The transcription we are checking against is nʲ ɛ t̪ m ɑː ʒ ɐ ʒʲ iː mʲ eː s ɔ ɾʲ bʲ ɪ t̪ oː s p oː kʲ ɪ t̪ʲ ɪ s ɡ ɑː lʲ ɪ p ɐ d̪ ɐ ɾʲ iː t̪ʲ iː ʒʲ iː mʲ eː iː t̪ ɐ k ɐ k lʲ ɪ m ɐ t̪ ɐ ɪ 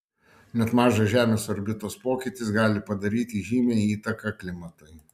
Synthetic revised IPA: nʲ ɛ t̪ m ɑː ʒ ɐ ʒʲ æː mʲ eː s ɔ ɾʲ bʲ ɪ t̪ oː s p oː kʲ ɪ t̪ʲ ɪ s ɡ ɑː lʲ ɪ p ɐ d̪ ɐ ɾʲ iː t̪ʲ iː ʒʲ iː mʲ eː iː t̪ ɐ k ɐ k lʲ ɪ m ɐ t̪ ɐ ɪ